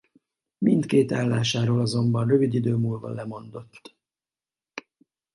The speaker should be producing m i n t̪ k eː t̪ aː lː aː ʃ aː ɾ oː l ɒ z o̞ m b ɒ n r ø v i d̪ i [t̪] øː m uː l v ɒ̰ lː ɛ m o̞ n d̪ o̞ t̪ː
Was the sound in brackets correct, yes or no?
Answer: no